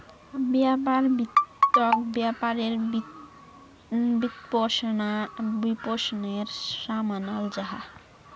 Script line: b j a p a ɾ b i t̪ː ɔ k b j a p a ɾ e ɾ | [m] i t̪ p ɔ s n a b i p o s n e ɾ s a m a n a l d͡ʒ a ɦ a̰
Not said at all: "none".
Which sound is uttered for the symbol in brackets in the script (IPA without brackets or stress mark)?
b